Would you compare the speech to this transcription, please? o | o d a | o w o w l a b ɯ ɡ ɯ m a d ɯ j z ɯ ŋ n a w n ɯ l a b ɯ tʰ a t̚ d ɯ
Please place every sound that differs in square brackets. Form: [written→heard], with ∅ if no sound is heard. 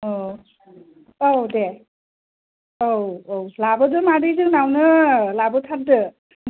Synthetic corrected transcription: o | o d [a→e] | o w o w l a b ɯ [ɡ→d] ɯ m a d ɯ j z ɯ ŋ n a w n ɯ l a b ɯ tʰ a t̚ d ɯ